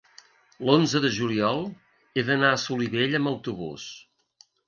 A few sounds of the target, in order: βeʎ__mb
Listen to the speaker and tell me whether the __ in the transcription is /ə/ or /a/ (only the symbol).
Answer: ə